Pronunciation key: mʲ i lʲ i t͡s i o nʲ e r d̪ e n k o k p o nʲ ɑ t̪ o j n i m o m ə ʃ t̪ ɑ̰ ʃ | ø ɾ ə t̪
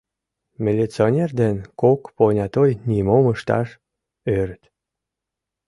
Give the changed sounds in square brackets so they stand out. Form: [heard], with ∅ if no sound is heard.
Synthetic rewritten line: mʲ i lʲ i t͡s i o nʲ e r d̪ e n k o k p o nʲ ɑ t̪ o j n i m o m ə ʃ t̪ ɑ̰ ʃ | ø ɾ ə t̪